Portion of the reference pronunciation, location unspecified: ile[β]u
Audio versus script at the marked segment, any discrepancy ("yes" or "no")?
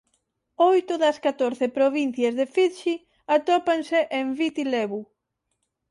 no